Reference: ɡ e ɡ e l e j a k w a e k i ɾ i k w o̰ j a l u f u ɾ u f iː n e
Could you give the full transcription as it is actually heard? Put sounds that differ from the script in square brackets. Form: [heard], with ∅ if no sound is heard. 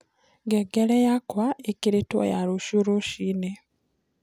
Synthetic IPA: ɡ e ɡ e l e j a k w a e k i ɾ i [t] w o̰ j a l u [ʃ] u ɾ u [ʃ] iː n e